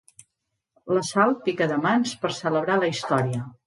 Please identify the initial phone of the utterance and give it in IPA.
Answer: l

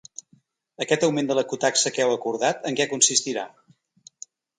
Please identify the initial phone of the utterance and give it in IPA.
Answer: ə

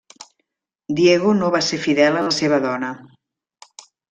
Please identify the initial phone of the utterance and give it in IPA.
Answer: d̪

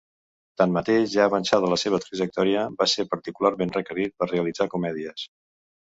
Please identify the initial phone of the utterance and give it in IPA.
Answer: t̪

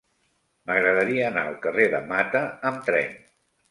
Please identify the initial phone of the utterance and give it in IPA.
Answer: m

